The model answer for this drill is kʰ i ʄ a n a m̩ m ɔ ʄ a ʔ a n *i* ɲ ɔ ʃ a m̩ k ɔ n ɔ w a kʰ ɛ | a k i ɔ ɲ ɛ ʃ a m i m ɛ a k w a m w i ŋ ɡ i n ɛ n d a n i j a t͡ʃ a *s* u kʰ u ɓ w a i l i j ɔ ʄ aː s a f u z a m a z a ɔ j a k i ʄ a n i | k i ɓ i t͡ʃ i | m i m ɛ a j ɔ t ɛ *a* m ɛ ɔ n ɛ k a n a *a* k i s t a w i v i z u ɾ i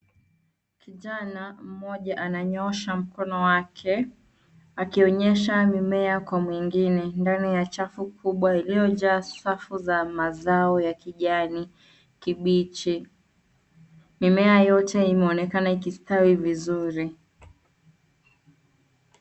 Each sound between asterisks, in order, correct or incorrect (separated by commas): incorrect, incorrect, incorrect, incorrect